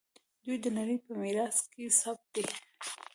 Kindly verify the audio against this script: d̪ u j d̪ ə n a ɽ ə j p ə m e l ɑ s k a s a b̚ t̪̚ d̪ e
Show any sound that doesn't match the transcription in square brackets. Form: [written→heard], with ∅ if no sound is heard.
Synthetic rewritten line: d̪ u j d̪ ə n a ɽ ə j p ə m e [l→ɾ] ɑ s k [a→e] s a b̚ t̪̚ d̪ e